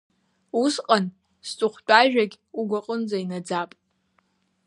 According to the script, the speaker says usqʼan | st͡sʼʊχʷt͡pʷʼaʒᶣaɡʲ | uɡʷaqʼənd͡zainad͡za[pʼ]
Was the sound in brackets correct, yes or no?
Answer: yes